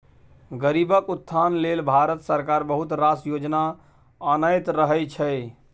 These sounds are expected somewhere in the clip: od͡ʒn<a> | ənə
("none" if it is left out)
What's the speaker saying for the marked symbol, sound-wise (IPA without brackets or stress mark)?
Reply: a